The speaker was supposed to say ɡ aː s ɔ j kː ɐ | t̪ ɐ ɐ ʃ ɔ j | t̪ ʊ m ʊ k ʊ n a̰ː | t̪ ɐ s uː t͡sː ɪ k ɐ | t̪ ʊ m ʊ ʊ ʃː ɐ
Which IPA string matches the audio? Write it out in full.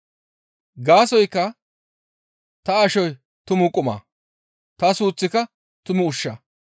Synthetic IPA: ɡ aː s ɔ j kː ɐ | t̪ ɐ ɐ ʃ ɔ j | t̪ ʊ m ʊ kʼ ʊ m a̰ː | t̪ ɐ s uː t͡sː ɪ k ɐ | t̪ ʊ m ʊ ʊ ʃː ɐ